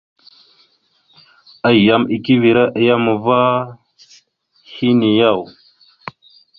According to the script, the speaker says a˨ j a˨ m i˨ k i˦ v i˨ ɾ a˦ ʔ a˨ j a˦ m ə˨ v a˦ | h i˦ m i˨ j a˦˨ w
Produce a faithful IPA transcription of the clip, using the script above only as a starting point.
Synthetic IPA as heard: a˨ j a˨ m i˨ k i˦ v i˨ ɾ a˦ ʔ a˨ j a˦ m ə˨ v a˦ | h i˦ n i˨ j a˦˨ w